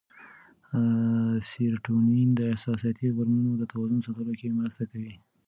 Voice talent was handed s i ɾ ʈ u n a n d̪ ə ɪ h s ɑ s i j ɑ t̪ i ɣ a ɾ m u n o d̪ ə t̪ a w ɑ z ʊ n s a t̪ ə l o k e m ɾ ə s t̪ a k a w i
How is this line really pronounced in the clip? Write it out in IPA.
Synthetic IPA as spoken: s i ɾ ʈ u n i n d̪ ə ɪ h s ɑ s i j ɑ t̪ i ɣ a ɾ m u n o d̪ ə t̪ a w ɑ z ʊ n s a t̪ ə l o k e m ɾ ə s t̪ a k a w i